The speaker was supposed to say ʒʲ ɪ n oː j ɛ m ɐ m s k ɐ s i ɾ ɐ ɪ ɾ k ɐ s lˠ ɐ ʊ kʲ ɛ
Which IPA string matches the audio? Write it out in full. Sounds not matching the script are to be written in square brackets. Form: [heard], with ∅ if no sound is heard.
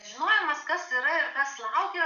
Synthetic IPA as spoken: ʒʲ ɪ n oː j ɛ m ɐ [∅] s k ɐ s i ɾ ɐ ɪ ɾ k ɐ s lˠ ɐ ʊ kʲ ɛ